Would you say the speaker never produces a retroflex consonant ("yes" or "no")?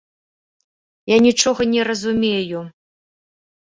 no